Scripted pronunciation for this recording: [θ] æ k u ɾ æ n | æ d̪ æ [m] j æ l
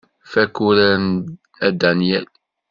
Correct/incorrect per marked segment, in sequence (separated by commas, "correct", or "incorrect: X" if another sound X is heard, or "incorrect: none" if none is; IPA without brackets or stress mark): incorrect: f, incorrect: n